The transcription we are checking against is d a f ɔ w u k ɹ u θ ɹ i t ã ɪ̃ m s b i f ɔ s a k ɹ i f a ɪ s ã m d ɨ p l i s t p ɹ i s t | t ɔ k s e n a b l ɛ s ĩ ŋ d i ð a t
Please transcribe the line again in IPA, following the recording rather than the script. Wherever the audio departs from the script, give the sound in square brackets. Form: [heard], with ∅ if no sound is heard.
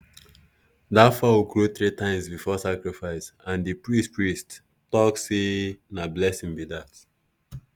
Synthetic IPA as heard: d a f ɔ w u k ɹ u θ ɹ i t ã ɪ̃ m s b i f ɔ s a k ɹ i f a ɪ s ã [n] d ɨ p [ɹ] i s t p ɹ i s t | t ɔ k s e n a b l ɛ s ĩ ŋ [b] i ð a t